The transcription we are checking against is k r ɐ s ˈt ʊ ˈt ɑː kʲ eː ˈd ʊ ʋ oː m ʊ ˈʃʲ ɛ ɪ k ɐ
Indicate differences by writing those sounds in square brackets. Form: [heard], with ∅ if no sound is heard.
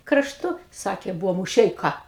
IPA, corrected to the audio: k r ɐ [ʃ] ˈt ʊ [ˈs] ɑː kʲ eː [ˈb] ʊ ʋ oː m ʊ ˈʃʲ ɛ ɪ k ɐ